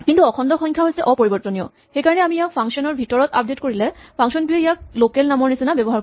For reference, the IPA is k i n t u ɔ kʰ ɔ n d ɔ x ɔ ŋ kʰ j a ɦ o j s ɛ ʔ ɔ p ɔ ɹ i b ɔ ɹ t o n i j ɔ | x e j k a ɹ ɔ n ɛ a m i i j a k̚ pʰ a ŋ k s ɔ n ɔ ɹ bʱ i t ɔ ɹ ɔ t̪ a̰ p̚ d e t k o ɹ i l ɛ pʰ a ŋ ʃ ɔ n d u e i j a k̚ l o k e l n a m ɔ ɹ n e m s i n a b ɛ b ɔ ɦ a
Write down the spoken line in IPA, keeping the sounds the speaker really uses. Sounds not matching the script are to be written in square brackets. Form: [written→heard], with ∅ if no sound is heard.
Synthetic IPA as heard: k i n t u ɔ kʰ ɔ n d ɔ x ɔ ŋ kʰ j a ɦ o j s ɛ ʔ ɔ p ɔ ɹ i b ɔ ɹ t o n i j ɔ | x e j k a ɹ ɔ n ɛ a m i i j a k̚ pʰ a ŋ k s ɔ n ɔ ɹ bʱ i t ɔ ɹ ɔ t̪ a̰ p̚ d e t k o ɹ i l ɛ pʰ a ŋ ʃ ɔ n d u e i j a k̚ l o k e l n a m ɔ ɹ n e [m→∅] s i n a b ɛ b ɔ ɦ a